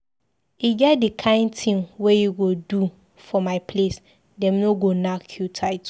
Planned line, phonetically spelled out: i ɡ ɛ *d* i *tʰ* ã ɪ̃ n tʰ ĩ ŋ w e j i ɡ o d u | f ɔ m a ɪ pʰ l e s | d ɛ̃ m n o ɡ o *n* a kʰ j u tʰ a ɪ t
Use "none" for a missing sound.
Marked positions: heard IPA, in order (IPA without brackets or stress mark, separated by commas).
d, kʰ, n